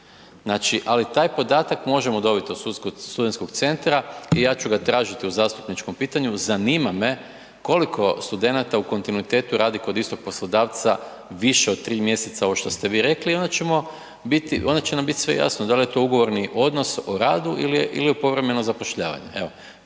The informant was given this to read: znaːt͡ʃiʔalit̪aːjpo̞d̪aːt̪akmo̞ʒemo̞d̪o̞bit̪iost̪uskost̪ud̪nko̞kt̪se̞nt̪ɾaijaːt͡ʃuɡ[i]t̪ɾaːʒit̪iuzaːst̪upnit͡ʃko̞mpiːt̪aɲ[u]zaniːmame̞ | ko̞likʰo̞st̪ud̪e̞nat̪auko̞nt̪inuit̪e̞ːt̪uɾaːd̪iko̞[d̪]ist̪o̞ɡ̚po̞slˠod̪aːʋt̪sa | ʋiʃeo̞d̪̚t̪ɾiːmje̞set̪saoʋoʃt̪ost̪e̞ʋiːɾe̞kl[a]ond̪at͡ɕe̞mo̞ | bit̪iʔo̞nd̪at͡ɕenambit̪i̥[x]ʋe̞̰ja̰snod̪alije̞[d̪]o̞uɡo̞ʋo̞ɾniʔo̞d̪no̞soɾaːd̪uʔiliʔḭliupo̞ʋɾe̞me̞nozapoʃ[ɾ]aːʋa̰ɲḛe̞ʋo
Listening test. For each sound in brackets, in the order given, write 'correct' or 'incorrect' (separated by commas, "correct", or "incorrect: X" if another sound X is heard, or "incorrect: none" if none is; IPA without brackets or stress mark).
incorrect: a, correct, correct, incorrect: i, incorrect: s, incorrect: t̪, incorrect: ʎ